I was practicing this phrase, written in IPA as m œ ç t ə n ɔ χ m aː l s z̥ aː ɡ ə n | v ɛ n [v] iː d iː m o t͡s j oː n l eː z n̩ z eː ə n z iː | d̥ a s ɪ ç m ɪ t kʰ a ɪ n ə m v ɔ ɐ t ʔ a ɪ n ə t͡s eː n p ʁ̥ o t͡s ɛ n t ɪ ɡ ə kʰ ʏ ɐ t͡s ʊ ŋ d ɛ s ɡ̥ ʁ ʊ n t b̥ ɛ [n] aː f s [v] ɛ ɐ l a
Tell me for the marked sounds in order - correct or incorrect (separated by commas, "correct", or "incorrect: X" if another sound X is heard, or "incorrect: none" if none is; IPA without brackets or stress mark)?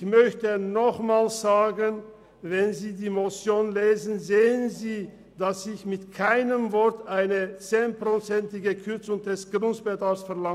incorrect: z, incorrect: d, incorrect: f